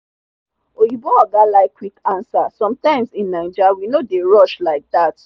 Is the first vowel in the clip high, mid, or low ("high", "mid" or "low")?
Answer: mid